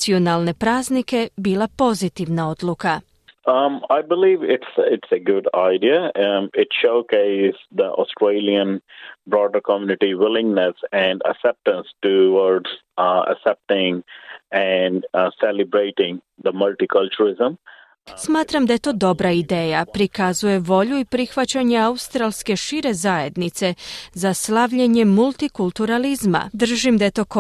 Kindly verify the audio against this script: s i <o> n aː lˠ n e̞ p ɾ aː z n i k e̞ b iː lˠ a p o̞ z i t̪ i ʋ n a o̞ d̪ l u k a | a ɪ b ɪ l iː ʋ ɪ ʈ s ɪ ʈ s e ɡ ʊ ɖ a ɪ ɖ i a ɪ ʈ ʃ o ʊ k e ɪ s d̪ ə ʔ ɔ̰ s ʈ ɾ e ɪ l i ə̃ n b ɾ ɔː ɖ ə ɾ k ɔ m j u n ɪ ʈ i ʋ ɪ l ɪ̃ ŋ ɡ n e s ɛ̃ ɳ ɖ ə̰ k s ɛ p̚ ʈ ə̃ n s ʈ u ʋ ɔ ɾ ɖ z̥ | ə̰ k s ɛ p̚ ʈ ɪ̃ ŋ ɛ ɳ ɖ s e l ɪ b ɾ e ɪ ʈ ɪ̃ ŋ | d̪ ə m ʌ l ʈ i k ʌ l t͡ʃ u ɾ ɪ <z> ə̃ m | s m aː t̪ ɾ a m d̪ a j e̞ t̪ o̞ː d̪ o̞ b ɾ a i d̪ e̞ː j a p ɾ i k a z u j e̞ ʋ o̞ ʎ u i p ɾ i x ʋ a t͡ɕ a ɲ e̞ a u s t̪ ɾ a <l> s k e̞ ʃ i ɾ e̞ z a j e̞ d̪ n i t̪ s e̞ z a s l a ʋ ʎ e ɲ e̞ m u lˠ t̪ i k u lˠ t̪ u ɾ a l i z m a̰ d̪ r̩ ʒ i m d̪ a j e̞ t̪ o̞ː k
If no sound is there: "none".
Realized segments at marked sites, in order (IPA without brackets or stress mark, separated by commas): o, z, l